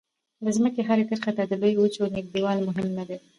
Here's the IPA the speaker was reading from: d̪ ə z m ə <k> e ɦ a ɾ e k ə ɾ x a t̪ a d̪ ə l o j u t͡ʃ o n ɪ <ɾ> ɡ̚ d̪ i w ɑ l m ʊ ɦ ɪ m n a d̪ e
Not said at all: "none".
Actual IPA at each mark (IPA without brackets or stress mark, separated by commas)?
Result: k, none